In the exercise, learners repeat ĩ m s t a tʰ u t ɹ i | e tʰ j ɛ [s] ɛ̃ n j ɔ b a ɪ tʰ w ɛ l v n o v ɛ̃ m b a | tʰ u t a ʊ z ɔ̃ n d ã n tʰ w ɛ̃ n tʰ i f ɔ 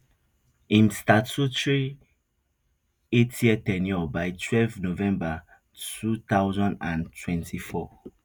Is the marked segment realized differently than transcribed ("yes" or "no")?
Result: yes